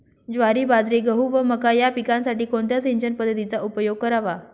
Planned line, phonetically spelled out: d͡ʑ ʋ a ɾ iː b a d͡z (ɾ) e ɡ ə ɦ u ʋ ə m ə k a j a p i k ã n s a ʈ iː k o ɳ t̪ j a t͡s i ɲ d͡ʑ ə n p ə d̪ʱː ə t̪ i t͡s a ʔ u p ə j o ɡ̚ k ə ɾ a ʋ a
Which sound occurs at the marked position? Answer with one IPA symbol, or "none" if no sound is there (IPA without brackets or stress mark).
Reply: ɾ